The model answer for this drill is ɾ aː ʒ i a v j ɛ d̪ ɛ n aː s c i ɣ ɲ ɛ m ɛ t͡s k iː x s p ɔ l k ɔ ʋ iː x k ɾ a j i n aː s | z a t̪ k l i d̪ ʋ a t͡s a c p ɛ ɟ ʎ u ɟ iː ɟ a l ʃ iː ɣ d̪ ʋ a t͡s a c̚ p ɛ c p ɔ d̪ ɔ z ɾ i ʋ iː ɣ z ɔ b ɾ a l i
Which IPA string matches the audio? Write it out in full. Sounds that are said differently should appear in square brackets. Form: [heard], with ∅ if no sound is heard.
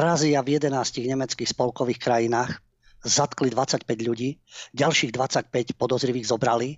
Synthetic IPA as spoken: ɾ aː [z] i a v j ɛ d̪ ɛ n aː s c i ɣ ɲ ɛ m ɛ t͡s k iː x s p ɔ l k ɔ ʋ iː x k ɾ a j i n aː [x] | z a t̪ k l i d̪ ʋ a t͡s a c p ɛ ɟ ʎ u ɟ iː ɟ a l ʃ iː ɣ d̪ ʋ a t͡s a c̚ p ɛ c p ɔ d̪ ɔ z ɾ i ʋ iː ɣ z ɔ b ɾ a l i